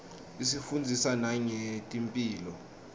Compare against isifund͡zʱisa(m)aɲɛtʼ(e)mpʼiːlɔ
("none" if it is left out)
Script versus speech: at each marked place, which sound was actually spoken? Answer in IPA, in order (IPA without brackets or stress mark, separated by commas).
n, i